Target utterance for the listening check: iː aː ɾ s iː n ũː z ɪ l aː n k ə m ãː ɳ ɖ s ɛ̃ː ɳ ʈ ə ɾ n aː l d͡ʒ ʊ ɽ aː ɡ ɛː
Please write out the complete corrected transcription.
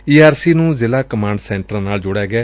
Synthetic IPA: iː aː ɾ s iː n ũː z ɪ l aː k ə m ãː ɳ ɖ s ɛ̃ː ɳ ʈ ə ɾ n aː l d͡ʒ ʊ ɽ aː ɡ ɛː